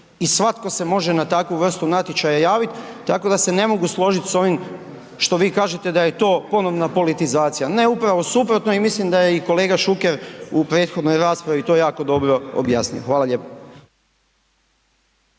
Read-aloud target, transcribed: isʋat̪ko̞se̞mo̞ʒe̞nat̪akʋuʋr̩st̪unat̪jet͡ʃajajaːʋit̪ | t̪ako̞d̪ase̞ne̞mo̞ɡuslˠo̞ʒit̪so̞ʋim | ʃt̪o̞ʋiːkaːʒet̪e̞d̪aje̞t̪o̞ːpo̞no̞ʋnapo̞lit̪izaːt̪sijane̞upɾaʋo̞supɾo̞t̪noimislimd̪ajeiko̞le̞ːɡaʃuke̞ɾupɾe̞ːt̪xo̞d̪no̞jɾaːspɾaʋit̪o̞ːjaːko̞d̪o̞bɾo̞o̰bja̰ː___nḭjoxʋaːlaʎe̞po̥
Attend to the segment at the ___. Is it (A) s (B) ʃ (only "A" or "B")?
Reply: A